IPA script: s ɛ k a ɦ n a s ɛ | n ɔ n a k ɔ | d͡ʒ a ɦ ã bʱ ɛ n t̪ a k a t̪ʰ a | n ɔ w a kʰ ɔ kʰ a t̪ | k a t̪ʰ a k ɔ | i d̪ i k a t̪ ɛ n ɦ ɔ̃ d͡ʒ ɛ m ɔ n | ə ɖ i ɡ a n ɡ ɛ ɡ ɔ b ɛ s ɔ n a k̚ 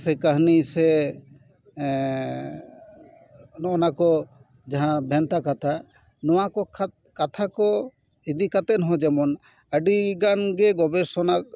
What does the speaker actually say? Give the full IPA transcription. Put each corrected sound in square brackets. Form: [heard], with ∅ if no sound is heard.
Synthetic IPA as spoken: s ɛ k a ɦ n [i] s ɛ | n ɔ n a k ɔ | d͡ʒ a ɦ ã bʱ ɛ n t̪ a k a t̪ʰ a | n ɔ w a [k] ɔ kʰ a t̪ | k a t̪ʰ a k ɔ | i d̪ i k a t̪ ɛ n ɦ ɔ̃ d͡ʒ ɛ m ɔ n | ə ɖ i ɡ a n ɡ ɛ ɡ ɔ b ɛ s ɔ n a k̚